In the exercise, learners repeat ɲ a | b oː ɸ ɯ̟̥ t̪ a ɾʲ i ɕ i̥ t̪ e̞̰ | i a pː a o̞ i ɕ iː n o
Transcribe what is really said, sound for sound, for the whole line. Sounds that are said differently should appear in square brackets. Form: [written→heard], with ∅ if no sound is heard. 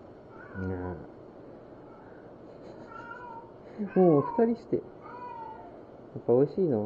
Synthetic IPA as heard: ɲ a | [b→m] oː ɸ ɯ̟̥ t̪ a ɾʲ i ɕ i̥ t̪ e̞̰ | [i→j] a pː a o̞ i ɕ iː n o